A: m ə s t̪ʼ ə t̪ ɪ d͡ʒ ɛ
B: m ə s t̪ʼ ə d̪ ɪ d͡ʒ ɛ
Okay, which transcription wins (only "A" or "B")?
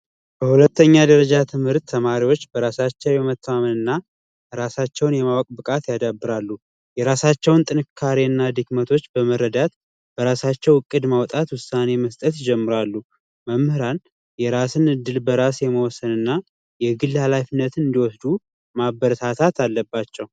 A